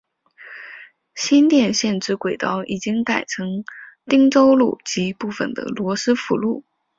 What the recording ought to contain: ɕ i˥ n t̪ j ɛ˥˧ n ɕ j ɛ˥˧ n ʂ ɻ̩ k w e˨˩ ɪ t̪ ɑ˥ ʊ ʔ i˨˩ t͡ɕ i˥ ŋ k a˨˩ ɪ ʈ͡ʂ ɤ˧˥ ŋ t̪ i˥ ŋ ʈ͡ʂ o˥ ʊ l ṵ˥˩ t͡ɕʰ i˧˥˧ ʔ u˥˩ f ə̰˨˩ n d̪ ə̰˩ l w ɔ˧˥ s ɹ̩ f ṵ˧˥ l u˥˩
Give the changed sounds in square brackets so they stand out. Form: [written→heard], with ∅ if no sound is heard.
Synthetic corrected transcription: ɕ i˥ n t̪ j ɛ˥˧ n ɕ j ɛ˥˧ n [ʂ→ʈ͡ʂ] ɻ̩ k w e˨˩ ɪ t̪ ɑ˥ ʊ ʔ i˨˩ t͡ɕ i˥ ŋ k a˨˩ ɪ [ʈ͡ʂ→ʈ͡ʂʰ] ɤ˧˥ ŋ t̪ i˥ ŋ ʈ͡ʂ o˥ ʊ l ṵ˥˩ [t͡ɕʰ→t͡ɕ] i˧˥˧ [ʔ→p] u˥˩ f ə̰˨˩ n d̪ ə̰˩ l w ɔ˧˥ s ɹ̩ f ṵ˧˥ l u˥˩

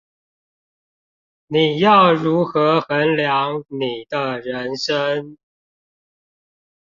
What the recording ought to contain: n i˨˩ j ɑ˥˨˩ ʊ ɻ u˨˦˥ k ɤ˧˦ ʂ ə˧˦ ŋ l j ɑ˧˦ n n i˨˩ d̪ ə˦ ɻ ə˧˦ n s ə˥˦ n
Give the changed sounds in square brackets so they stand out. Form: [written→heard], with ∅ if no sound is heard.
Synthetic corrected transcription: n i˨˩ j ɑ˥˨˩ ʊ ɻ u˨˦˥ [k→x] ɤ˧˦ [ʂ→x] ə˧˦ [ŋ→n] l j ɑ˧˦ [n→ŋ] n i˨˩ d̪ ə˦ ɻ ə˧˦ n [s→ʂ] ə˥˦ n

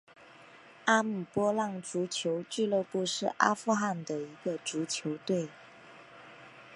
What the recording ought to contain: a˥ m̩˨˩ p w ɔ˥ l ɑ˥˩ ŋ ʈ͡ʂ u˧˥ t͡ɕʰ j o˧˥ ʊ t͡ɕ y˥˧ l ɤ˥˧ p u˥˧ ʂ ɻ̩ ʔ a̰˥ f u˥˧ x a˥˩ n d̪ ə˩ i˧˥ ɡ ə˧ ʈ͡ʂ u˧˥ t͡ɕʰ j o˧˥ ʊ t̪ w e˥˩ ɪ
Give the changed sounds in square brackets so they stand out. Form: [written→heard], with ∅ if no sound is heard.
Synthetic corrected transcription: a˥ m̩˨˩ p w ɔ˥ l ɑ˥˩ ŋ ʈ͡ʂ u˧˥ t͡ɕʰ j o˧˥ ʊ t͡ɕ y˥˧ l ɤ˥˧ p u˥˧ ʂ ɻ̩ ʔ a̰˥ f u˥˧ x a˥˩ n d̪ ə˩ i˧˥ ɡ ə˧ ʈ͡ʂ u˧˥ t͡ɕʰ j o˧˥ ʊ t̪ w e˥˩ ɪ

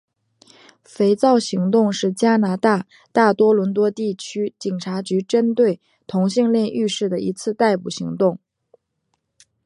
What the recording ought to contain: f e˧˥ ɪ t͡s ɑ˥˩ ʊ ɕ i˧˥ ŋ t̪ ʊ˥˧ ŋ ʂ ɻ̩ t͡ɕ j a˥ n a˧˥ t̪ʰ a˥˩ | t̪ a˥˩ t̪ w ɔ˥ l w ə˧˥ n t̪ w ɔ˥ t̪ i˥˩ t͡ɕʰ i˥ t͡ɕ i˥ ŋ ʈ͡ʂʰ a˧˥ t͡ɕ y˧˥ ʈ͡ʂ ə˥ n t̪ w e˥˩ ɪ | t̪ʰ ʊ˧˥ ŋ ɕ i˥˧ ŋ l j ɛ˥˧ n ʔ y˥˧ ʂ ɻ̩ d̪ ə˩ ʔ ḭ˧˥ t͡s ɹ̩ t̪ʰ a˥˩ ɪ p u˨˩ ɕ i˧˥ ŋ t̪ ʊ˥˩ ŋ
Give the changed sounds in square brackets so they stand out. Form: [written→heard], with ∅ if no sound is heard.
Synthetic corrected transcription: f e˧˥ ɪ t͡s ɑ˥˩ ʊ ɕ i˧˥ ŋ t̪ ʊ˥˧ ŋ ʂ ɻ̩ t͡ɕ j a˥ n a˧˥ [t̪ʰ→t̪] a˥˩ | t̪ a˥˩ t̪ w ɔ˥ l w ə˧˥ n t̪ w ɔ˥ t̪ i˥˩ t͡ɕʰ [i˥→y˥] t͡ɕ [i˥→i˨˩] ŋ ʈ͡ʂʰ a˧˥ t͡ɕ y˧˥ ʈ͡ʂ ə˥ n t̪ w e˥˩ ɪ | t̪ʰ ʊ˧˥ ŋ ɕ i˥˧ ŋ l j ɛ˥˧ n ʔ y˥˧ ʂ ɻ̩ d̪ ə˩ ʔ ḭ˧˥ [t͡s→t͡sʰ] ɹ̩ [t̪ʰ→t̪] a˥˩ ɪ p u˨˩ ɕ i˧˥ ŋ t̪ ʊ˥˩ ŋ

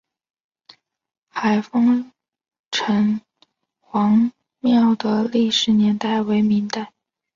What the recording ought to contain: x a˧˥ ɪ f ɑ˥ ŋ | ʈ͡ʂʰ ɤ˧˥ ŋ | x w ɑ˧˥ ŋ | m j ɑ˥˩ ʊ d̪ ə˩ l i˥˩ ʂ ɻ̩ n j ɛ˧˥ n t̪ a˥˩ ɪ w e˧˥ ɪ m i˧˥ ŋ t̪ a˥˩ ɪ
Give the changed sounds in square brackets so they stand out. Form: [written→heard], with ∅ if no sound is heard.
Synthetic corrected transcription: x [a˧˥→a˨˩] ɪ f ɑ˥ ŋ | ʈ͡ʂʰ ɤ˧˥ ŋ | x w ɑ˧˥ ŋ | m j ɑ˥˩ ʊ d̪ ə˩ l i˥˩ ʂ ɻ̩ n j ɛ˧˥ n t̪ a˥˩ ɪ w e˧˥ ɪ m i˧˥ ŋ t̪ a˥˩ ɪ

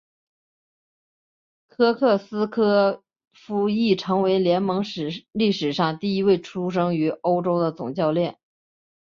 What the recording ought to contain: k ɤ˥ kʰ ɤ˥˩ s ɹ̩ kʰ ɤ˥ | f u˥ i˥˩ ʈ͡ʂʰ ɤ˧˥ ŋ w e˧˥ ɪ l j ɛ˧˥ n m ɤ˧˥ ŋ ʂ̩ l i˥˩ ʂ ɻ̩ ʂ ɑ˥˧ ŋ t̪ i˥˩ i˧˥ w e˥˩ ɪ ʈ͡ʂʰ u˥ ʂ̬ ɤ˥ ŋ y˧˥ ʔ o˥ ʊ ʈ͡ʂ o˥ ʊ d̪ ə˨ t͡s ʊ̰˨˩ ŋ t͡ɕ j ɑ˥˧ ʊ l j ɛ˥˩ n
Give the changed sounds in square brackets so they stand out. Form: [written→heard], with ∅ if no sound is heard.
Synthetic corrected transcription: [k→kʰ] ɤ˥ kʰ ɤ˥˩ s ɹ̩ kʰ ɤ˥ | f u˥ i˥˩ ʈ͡ʂʰ ɤ˧˥ ŋ w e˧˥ ɪ l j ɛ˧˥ n m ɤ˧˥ ŋ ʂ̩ l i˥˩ ʂ ɻ̩ ʂ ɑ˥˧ ŋ t̪ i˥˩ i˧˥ w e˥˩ ɪ ʈ͡ʂʰ u˥ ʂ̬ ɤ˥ ŋ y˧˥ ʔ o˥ ʊ ʈ͡ʂ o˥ ʊ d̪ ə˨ t͡s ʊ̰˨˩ ŋ t͡ɕ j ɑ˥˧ ʊ l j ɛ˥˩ n

